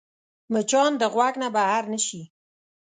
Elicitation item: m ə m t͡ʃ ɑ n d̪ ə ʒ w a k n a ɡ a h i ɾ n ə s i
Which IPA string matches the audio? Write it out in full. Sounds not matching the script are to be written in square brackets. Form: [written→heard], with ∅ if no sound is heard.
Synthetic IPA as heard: m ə [m→∅] t͡ʃ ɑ n d̪ ə [ʒ→ɣ] w a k n a [ɡ→b] a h [i→a] ɾ n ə [s→ʃ] i